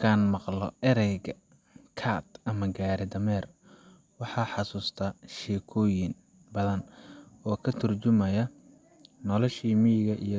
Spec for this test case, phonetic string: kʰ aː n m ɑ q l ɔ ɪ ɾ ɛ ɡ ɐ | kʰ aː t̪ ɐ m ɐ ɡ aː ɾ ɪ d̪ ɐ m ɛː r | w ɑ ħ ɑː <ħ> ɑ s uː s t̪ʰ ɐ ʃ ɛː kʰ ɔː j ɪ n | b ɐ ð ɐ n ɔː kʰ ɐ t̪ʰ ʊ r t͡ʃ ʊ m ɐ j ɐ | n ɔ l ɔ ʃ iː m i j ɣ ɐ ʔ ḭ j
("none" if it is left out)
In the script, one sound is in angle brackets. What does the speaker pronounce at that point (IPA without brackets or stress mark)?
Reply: ħ